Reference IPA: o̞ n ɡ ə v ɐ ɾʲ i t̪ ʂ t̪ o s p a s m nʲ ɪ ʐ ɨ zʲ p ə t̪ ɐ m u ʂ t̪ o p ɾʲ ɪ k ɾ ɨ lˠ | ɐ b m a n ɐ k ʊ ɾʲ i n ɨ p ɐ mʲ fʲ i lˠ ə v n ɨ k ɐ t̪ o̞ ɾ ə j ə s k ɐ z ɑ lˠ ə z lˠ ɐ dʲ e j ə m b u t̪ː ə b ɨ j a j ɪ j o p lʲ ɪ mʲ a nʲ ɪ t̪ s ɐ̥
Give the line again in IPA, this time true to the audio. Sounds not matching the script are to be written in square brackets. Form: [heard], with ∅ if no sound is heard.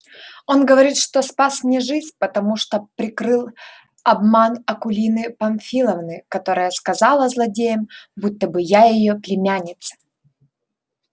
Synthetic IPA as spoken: o̞ n ɡ ə v ɐ ɾʲ i t̪ ʂ t̪ o s p a s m nʲ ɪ ʐ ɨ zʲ p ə t̪ ɐ m u ʂ t̪ o p ɾʲ ɪ k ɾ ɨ lˠ | ɐ b m a n ɐ k ʊ [lʲ] i n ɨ p ɐ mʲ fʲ i lˠ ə v n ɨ k ɐ t̪ o̞ ɾ ə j ə s k ɐ z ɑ lˠ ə z lˠ ɐ dʲ e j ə m b u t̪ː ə b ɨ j a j ɪ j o p lʲ ɪ mʲ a nʲ ɪ t̪ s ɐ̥